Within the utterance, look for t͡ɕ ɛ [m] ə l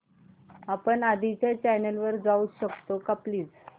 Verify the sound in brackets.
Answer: incorrect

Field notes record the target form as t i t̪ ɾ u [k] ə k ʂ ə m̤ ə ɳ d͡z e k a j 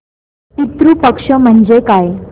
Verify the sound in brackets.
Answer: incorrect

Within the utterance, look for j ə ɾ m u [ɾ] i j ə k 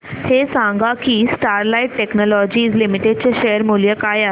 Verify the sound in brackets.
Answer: incorrect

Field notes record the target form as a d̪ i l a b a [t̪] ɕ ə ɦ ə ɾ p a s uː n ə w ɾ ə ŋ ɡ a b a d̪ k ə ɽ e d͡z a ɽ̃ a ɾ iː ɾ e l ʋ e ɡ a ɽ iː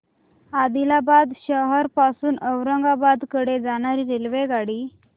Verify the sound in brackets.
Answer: incorrect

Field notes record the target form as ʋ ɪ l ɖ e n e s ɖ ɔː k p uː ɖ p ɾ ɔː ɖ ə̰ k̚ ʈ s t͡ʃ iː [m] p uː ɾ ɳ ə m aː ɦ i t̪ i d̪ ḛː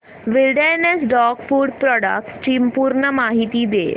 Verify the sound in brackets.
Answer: correct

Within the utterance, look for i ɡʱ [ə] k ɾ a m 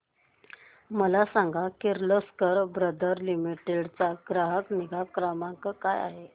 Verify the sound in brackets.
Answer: incorrect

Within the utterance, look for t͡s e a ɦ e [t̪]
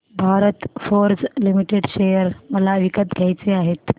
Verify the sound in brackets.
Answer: correct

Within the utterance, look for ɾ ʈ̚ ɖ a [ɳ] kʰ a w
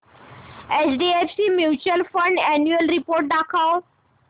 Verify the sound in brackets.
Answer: incorrect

